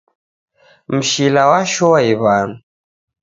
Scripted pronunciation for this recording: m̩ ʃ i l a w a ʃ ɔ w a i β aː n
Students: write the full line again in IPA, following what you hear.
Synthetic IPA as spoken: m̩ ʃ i l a w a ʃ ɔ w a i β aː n

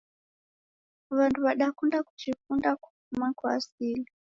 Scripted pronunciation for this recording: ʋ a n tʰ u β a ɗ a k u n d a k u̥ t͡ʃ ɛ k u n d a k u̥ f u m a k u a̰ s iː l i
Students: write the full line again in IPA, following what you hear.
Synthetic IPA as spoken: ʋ a n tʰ u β a ɗ a k u n d a k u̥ t͡ʃ i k u n d a k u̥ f u m a k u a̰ s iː l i

